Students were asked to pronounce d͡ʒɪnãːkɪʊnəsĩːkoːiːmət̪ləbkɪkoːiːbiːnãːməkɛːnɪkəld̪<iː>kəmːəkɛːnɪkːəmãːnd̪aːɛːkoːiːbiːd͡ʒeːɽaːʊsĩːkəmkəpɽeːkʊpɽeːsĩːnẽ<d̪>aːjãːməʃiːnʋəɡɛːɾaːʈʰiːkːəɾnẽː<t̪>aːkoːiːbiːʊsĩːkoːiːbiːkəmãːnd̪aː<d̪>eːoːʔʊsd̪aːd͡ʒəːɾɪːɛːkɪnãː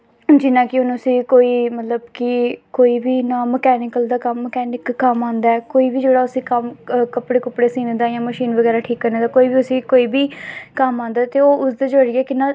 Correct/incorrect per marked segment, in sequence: incorrect: aː, correct, incorrect: d̪, incorrect: t̪

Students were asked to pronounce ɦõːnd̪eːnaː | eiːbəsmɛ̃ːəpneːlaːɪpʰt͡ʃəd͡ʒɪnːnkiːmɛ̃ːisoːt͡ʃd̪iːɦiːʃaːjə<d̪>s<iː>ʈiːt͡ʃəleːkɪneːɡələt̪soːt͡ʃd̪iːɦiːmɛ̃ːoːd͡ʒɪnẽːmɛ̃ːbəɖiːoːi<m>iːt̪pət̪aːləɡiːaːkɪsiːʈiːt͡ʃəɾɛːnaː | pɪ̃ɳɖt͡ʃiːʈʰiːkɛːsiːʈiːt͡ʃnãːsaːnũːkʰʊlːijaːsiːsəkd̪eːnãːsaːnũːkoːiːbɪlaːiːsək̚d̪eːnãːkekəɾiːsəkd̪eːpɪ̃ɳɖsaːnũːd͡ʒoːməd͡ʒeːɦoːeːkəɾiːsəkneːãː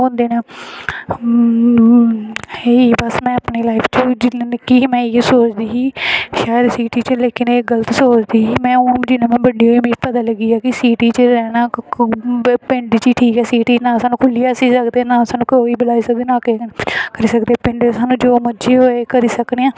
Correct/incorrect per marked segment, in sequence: correct, correct, correct

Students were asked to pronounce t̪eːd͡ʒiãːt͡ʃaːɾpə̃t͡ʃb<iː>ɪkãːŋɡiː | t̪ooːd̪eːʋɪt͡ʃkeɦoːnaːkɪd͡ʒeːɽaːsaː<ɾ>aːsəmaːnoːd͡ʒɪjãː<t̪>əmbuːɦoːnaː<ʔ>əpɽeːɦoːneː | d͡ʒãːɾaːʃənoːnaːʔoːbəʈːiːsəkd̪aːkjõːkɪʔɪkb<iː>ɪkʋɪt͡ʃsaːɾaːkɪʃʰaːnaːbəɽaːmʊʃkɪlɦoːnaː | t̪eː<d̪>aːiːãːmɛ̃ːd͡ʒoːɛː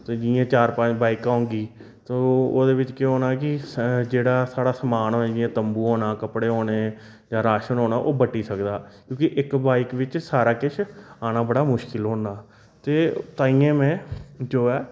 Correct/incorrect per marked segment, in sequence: incorrect: aː, incorrect: ɽ, correct, incorrect: k, incorrect: aː, incorrect: t̪

